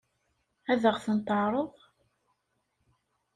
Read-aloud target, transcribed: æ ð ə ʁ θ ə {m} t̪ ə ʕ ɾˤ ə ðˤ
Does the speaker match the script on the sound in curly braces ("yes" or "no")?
no